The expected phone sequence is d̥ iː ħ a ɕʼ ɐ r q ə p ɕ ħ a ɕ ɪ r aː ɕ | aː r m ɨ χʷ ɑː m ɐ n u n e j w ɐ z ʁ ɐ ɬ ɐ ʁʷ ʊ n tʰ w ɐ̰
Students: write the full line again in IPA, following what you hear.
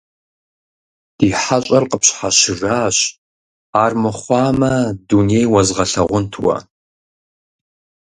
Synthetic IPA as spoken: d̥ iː ħ a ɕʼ ɐ r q ə p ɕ ħ a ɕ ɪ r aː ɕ | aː r m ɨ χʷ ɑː m ɐ d u n e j w ɐ z ʁ ɐ ɬ ɐ ʁʷ ʊ n tʰ w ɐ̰